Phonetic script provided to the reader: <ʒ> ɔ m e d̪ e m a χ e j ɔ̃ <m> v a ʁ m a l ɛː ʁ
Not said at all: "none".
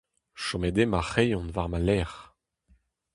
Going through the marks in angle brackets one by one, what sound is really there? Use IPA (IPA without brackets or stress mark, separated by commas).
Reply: ʃ, n